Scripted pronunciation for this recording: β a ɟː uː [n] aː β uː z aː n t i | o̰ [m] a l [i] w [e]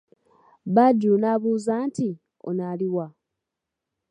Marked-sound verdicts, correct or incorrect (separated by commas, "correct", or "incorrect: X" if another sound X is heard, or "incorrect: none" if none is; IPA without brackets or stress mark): correct, incorrect: n, correct, incorrect: a